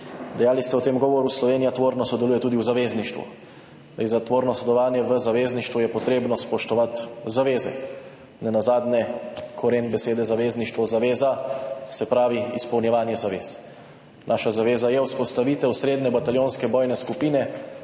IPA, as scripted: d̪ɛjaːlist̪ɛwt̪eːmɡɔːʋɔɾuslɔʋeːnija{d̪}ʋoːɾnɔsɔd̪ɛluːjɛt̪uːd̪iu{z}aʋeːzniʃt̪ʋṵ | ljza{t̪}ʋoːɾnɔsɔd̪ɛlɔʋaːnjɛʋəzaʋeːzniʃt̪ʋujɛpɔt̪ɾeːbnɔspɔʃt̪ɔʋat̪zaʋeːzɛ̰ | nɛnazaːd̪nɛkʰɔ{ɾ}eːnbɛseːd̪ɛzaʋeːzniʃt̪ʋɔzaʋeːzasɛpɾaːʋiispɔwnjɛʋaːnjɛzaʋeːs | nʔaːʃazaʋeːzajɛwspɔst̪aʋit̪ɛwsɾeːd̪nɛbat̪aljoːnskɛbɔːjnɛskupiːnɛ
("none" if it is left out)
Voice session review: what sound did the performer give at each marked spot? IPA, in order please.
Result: t̪, z, t̪, ɾ

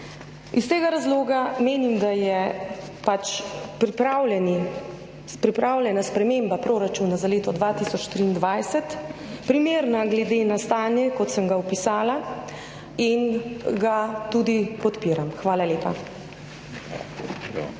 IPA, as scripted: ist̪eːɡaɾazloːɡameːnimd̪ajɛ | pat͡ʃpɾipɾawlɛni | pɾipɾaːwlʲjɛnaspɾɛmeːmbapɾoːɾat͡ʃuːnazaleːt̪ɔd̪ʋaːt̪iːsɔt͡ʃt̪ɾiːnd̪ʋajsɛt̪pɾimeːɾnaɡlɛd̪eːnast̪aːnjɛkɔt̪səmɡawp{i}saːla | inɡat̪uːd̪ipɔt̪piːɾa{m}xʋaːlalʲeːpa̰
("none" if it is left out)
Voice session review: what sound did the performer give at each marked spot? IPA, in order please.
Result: i, m

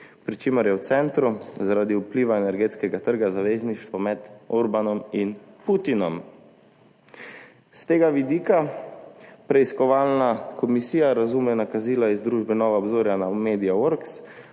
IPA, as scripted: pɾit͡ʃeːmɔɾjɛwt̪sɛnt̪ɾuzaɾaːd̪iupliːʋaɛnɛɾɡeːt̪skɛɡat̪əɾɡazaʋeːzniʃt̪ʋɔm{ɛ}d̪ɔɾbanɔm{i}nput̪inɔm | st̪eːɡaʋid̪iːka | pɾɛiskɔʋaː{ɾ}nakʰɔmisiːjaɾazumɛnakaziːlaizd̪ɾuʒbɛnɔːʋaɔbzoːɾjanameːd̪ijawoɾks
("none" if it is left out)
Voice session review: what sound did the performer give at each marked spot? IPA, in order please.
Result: ɛ, i, l

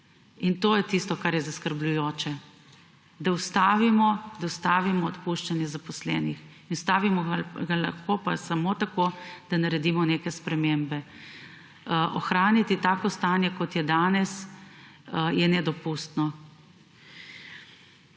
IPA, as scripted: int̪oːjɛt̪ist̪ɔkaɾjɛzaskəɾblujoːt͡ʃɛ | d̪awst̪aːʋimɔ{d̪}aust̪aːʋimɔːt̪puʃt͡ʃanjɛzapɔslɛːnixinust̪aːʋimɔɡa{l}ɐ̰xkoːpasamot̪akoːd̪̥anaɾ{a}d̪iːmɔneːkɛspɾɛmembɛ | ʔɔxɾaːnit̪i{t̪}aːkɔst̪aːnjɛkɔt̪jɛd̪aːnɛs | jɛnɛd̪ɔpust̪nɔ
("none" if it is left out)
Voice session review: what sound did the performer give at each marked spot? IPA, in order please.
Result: d̪, l, ɛ, t̪

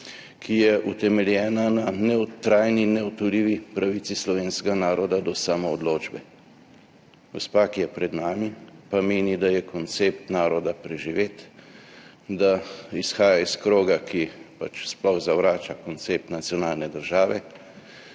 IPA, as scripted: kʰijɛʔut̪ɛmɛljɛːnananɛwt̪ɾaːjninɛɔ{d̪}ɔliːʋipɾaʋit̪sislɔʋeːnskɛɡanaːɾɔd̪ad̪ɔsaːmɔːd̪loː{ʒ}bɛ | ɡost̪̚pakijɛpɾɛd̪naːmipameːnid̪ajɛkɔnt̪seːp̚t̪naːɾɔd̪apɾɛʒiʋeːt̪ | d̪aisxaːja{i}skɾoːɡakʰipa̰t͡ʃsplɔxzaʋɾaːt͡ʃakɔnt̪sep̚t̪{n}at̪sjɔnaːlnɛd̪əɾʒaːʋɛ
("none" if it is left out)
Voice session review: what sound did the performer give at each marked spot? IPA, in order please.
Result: t̪, d͡ʒ, i, n

